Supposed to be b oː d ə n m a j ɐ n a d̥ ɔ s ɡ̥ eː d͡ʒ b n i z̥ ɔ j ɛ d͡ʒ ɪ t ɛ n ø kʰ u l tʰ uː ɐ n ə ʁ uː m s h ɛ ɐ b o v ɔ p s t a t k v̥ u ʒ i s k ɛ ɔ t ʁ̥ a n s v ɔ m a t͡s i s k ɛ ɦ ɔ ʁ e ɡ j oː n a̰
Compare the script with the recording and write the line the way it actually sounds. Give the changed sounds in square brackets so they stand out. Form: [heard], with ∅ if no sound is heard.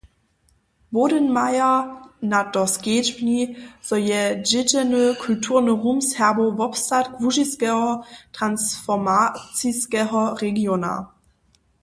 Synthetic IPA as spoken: b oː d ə n m a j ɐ n a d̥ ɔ s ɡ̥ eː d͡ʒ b n i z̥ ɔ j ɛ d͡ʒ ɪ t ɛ n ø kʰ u l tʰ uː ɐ n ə ʁ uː m s h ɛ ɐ b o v ɔ p s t a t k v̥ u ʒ i s k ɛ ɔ t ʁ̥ a n s [f] ɔ m a t͡s i s k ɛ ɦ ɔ ʁ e ɡ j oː n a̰